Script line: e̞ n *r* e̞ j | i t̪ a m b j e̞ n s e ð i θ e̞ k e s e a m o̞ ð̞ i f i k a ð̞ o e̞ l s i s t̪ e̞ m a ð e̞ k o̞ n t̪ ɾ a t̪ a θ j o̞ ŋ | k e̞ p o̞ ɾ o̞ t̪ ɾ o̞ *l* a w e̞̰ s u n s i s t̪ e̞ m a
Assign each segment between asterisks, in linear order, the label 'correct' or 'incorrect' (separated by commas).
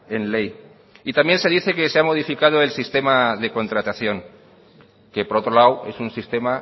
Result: incorrect, correct